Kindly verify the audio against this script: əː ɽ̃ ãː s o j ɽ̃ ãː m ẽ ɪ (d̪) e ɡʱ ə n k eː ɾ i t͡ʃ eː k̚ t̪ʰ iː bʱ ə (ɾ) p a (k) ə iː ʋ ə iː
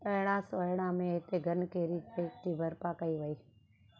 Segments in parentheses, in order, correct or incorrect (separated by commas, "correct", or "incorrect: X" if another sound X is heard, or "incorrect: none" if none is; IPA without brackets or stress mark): incorrect: t̪, correct, correct